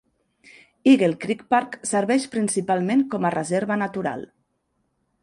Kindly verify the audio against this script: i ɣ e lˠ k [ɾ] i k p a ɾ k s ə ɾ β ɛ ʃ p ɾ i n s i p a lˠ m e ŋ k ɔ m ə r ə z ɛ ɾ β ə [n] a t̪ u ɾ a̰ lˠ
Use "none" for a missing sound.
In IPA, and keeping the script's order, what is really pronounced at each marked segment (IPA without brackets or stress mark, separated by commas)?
ɾ, n